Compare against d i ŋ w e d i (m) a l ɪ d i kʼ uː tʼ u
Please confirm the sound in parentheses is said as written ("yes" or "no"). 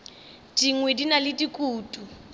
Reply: no